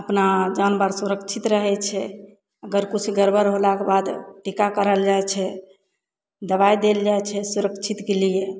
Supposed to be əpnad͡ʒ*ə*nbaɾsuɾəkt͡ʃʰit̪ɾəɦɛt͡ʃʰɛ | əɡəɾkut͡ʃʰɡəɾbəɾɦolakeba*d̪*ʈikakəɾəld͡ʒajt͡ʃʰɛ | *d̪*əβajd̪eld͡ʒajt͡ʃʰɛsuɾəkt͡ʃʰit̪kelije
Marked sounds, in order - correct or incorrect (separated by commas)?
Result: incorrect, correct, correct